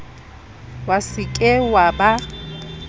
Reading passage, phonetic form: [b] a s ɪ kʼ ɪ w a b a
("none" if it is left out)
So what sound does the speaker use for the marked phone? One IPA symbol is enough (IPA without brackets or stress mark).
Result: w